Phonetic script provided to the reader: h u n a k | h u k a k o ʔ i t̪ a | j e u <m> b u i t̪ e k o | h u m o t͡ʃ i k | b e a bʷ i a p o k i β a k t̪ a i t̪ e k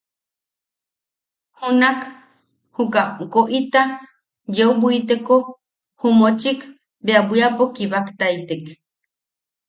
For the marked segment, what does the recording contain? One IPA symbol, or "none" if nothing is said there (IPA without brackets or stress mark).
none